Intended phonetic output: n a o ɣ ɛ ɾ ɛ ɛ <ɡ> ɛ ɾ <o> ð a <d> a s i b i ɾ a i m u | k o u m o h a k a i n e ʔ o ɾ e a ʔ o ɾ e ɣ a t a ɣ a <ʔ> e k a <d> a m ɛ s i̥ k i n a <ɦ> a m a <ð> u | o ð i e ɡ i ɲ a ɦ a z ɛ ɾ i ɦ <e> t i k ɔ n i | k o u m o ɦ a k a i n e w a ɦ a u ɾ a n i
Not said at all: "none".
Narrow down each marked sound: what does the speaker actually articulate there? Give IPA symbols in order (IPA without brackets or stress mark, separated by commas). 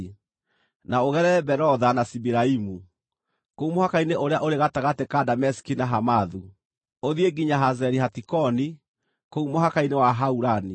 b, ɔ, n, t, d, ɦ, ð, a